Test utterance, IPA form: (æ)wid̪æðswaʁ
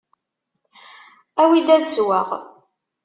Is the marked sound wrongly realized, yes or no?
no